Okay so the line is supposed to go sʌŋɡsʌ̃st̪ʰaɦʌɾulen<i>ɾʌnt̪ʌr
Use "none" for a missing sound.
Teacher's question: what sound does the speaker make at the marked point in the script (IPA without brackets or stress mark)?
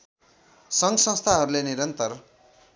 i